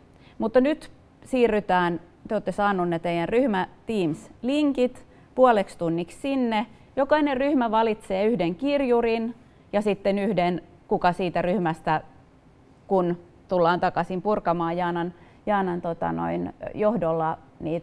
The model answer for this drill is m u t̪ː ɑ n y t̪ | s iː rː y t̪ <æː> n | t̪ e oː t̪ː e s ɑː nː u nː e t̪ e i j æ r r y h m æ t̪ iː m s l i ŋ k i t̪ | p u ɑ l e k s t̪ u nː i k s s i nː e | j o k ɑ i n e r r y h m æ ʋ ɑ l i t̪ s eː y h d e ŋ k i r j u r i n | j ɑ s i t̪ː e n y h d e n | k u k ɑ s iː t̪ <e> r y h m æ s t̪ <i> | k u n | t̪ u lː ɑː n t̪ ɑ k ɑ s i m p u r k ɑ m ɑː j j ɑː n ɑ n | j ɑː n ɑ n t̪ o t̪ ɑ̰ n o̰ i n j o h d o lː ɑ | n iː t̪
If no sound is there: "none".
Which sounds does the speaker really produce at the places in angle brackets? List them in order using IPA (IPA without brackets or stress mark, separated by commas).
æː, æ, æ